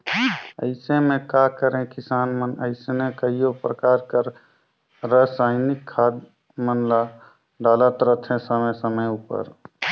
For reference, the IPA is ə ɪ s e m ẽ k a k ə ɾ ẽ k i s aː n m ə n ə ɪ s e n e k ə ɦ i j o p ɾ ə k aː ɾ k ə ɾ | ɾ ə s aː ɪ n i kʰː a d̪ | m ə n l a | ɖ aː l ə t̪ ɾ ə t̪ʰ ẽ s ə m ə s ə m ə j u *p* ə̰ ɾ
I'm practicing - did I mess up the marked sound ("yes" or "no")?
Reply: no